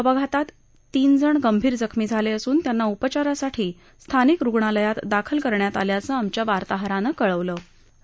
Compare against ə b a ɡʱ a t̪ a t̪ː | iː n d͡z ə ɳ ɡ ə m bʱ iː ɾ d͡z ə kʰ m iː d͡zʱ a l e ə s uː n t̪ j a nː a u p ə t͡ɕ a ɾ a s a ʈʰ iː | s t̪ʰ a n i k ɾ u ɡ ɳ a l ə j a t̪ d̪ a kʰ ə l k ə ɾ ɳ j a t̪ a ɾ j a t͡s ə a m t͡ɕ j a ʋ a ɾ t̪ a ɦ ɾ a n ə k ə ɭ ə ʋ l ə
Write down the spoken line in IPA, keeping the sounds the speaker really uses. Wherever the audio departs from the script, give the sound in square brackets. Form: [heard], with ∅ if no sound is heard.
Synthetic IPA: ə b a ɡʱ a t̪ a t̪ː | iː n d͡z ə ɳ ɡ ə m bʱ iː ɾ d͡z ə kʰ m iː d͡zʱ a l e ə s uː n t̪ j a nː a u p ə t͡ɕ a ɾ a s a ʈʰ iː | s t̪ʰ a n i k ɾ u ɡ ɳ a l ə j a t̪ d̪ a kʰ ə l k ə ɾ ɳ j a t̪ a [l] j a t͡s ə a m t͡ɕ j a ʋ a ɾ t̪ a ɦ ɾ a n ə k ə ɭ ə ʋ l ə